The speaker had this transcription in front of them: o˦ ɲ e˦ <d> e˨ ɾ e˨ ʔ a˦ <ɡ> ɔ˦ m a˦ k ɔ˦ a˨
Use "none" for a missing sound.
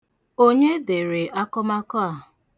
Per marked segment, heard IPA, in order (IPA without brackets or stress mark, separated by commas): d, k